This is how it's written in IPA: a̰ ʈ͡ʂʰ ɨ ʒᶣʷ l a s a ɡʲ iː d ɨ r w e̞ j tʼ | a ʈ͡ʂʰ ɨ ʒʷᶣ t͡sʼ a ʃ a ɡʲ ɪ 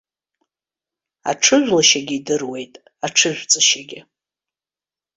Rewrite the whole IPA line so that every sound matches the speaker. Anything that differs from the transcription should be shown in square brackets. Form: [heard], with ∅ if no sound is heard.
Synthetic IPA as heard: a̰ ʈ͡ʂʰ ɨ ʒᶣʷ l a [ʃ] a ɡʲ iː d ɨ r w e̞ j tʼ | a ʈ͡ʂʰ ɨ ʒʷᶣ t͡sʼ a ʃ a ɡʲ ɪ